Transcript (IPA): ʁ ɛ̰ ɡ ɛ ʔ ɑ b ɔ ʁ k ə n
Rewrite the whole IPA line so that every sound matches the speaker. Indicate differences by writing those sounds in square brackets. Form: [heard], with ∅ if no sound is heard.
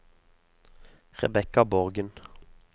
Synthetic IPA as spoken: ʁ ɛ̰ [b] ɛ [k] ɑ b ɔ ʁ [ɡ] ə n